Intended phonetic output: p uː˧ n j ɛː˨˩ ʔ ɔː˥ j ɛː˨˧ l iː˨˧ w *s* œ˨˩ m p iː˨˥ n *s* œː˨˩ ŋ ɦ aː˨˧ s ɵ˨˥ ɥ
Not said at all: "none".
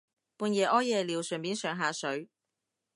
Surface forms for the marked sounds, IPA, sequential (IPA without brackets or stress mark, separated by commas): s, s